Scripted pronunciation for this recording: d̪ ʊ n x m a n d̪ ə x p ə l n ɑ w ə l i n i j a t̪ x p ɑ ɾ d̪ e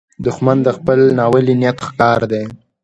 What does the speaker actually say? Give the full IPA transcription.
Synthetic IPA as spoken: d̪ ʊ x m a n d̪ ə x p ə l n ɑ w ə l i n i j a t̪ x k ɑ ɾ d̪ e